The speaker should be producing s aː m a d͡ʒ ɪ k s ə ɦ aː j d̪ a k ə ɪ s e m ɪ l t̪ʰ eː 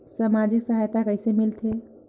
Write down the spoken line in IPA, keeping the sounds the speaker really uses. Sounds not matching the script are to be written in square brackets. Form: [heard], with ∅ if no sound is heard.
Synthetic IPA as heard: s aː m a d͡ʒ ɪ k s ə ɦ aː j [t̪] a k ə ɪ s e m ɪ l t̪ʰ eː